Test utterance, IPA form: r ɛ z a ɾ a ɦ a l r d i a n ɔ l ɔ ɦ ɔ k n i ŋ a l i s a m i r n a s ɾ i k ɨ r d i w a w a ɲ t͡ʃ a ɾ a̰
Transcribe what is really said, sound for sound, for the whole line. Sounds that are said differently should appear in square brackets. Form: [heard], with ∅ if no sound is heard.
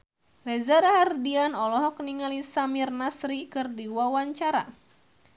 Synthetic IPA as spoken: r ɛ z a ɾ a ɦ a [∅] r d i a n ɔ l ɔ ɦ ɔ k n i ŋ a l i s a m i r n a s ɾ i k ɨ r d i w a w a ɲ t͡ʃ a ɾ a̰